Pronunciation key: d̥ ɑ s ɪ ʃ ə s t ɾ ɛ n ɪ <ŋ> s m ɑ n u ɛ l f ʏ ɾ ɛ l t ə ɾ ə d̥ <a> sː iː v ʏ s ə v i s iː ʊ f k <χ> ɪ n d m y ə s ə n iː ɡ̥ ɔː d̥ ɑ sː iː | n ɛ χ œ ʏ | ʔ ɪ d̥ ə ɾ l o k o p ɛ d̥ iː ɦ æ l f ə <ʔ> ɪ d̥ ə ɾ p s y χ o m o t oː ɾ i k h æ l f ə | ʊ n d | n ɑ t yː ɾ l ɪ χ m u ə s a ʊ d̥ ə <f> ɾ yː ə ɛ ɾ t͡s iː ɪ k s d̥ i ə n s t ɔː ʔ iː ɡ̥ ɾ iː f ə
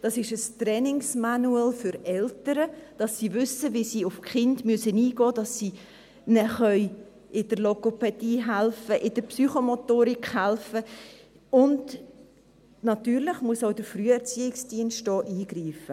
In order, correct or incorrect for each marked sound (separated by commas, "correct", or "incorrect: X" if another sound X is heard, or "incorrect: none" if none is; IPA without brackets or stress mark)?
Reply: correct, incorrect: ɑ, correct, correct, correct